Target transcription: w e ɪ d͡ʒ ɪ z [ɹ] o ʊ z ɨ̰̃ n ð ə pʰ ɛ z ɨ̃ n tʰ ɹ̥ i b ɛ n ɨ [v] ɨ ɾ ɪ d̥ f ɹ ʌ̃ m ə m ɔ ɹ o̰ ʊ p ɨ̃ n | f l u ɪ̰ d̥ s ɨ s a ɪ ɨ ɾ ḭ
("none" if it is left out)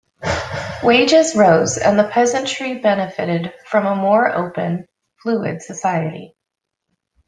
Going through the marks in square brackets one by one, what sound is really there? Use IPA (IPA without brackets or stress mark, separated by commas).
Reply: ɹ, f